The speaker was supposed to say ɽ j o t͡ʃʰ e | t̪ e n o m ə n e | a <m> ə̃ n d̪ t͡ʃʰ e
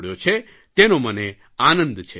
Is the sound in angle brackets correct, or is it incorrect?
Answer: incorrect